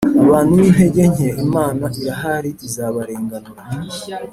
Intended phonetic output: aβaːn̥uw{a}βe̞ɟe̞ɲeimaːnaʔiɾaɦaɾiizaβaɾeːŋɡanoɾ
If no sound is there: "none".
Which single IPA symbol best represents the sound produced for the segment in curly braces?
i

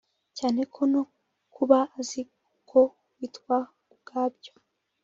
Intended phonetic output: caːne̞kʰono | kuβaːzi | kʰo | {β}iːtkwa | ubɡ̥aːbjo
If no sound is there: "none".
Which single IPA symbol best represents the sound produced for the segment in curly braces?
w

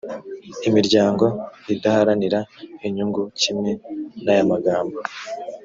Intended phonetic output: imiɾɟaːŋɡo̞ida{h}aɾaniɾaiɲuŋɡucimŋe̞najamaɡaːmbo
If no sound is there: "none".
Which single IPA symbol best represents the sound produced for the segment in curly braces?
h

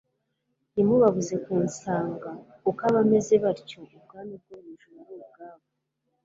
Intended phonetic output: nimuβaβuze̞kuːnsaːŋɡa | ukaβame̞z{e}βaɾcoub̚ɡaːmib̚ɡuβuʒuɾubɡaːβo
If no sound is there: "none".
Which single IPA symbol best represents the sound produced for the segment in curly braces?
e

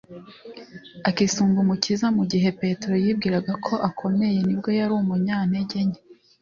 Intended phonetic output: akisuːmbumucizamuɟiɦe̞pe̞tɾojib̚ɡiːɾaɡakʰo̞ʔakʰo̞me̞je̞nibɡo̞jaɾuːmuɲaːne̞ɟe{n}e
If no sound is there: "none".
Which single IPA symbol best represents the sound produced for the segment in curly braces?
ɲ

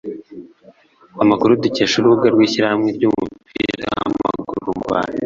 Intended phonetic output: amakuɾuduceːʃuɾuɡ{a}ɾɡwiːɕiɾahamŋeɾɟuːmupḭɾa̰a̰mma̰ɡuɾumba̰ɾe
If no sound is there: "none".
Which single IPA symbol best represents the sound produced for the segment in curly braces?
a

